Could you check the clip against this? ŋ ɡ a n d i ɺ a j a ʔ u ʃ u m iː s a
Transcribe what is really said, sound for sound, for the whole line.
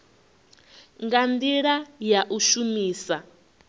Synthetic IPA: ŋ ɡ a n d i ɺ a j a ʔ u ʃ u m iː s a